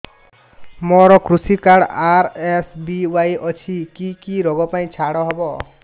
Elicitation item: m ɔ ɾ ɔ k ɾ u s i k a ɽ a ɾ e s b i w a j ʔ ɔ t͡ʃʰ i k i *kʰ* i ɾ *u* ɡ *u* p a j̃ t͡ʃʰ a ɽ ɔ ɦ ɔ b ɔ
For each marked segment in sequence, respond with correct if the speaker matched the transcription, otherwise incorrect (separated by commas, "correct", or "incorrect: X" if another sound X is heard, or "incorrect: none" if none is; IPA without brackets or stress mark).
incorrect: k, incorrect: ɔ, incorrect: ɔ